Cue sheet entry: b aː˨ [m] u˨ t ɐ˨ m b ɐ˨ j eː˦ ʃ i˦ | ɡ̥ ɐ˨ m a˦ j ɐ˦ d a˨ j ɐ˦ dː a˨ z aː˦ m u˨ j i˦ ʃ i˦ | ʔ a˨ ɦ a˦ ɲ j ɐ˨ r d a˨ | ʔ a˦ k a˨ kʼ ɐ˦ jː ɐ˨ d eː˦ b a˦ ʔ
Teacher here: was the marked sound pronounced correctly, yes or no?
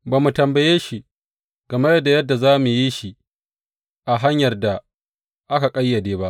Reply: yes